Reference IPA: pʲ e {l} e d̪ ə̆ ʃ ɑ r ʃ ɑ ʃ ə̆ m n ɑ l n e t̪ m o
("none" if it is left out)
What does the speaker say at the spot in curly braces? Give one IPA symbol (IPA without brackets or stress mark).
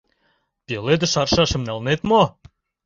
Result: l